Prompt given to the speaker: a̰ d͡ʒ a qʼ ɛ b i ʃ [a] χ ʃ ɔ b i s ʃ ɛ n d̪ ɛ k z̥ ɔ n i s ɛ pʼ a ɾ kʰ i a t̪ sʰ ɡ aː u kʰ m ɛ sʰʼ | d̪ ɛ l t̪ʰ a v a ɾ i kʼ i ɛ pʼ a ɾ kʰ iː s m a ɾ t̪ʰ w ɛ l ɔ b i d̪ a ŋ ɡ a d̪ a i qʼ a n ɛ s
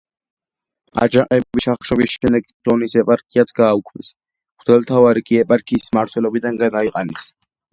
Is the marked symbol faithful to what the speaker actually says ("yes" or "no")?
yes